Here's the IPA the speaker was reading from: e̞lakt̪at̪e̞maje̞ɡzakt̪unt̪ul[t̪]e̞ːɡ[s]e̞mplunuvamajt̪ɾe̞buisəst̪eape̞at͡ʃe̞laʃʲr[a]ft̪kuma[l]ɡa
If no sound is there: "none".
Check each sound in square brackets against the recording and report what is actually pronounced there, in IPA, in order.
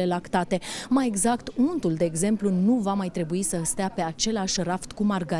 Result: d̪, z, a, r

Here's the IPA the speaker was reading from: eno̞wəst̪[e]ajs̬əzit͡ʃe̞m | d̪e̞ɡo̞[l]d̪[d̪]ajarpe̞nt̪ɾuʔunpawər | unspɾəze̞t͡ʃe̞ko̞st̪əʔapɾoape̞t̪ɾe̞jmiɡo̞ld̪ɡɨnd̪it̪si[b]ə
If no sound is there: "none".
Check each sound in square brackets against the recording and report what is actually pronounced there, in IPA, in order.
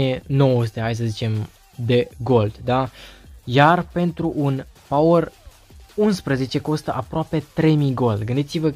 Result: e, l, d̪, v

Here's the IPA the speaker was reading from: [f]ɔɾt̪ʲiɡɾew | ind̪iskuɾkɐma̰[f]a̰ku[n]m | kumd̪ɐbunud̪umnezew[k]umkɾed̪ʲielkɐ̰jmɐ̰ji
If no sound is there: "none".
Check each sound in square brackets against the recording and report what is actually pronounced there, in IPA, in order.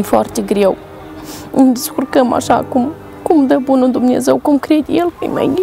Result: f, ʃ, none, k

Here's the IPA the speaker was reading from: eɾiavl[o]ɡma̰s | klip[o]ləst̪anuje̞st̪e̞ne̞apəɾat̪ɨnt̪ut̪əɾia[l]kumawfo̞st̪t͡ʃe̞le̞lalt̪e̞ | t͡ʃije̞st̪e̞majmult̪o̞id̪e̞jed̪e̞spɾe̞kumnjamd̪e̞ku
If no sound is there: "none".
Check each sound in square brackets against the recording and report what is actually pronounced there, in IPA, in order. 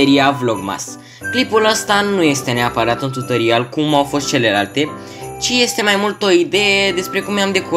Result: o, u, l

